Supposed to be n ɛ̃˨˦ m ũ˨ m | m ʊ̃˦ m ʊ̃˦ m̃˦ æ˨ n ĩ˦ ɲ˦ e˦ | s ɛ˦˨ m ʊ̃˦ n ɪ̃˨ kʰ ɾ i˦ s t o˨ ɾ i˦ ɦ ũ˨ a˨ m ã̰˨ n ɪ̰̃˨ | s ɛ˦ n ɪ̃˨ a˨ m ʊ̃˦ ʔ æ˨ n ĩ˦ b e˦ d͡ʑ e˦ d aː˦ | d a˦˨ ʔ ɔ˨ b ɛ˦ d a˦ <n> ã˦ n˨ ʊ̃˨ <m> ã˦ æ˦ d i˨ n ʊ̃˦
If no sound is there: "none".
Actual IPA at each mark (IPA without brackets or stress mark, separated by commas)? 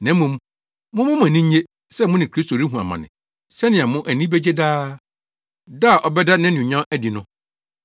n, ɲ